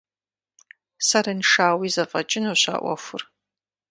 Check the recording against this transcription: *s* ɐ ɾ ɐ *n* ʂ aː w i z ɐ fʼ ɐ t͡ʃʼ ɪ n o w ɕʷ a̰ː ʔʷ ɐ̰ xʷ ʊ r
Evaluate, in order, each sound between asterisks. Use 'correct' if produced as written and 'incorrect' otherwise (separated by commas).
correct, correct